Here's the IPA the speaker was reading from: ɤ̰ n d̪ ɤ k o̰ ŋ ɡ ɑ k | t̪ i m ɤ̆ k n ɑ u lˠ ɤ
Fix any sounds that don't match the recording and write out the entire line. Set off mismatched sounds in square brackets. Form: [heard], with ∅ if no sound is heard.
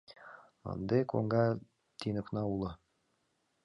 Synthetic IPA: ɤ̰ n d̪ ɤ k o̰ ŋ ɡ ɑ [∅] | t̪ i [n] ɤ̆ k n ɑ u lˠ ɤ